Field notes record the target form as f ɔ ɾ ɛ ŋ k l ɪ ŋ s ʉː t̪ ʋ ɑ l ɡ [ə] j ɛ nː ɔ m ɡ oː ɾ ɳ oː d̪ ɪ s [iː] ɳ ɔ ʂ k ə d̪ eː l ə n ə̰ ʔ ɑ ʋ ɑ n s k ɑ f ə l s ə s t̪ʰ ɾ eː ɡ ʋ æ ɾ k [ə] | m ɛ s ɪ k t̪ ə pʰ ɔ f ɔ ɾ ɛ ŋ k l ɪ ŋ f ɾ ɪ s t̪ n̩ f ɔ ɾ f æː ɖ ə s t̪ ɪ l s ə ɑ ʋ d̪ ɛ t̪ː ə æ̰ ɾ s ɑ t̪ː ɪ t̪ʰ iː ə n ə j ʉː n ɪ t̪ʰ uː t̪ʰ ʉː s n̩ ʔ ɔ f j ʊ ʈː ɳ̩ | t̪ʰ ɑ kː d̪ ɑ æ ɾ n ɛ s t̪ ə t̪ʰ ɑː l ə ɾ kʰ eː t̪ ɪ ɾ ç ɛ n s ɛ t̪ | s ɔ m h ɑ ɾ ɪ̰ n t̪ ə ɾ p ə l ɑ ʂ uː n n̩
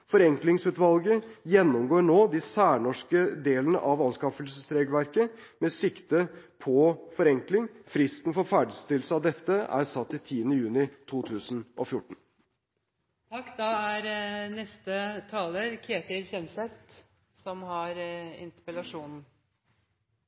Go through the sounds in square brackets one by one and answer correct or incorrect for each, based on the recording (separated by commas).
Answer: correct, incorrect, correct